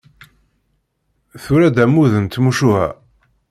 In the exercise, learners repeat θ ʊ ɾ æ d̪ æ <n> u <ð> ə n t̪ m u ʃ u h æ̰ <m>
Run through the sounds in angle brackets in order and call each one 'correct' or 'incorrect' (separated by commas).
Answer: incorrect, correct, incorrect